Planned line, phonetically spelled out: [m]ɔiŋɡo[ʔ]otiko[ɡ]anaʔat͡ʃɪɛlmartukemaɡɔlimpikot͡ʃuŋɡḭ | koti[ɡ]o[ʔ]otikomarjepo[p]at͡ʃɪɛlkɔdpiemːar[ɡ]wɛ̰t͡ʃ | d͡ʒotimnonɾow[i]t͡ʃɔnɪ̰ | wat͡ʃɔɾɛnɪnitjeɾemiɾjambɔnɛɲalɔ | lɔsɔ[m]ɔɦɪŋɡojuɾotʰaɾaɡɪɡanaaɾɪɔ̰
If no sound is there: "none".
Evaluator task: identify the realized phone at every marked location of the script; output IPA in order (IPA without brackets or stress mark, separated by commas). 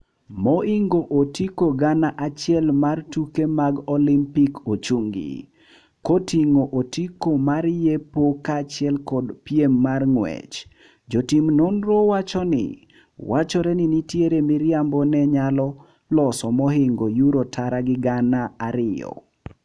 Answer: m, ʔ, ɡ, ŋ, ʔ, k, ŋ, a, m